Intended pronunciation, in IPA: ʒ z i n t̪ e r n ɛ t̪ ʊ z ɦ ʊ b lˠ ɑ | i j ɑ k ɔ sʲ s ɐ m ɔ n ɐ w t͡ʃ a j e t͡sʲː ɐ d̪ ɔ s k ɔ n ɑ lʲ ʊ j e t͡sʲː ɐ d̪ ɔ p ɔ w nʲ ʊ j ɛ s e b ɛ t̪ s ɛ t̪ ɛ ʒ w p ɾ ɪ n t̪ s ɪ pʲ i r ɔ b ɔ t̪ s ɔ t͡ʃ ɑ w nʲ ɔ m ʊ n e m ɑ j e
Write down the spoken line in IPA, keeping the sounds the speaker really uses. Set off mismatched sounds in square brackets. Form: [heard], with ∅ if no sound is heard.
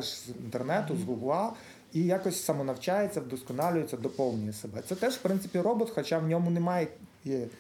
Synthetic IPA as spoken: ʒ z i n t̪ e r n ɛ t̪ ʊ z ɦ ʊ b lˠ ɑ | i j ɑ k ɔ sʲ s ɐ m ɔ n ɐ w t͡ʃ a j e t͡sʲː ɐ d̪ ɔ s k ɔ n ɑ lʲ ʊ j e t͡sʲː ɐ d̪ ɔ p ɔ w nʲ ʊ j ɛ s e b ɛ t̪ s ɛ t̪ ɛ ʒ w p ɾ ɪ n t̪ s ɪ pʲ i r ɔ b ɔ t̪ [x] ɔ t͡ʃ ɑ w nʲ ɔ m ʊ n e m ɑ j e